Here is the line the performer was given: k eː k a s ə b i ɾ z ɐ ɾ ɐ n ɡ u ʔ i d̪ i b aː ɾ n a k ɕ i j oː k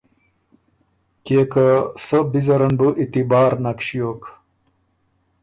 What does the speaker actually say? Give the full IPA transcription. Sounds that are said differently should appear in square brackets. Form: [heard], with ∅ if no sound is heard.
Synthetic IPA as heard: k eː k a s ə b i [∅] z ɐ ɾ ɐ n [b] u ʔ i [t̪] i b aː ɾ n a k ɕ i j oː k